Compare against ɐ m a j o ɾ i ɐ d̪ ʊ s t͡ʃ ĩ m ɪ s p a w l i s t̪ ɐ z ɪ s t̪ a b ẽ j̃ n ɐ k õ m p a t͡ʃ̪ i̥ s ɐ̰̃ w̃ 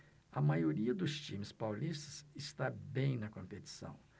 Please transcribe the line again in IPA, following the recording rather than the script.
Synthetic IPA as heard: ɐ m a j o ɾ i ɐ d̪ ʊ s t͡ʃ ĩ m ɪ s p a w l i s t̪ ɐ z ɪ s t̪ a b ẽ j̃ n ɐ k õ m p e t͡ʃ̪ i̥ s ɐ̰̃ w̃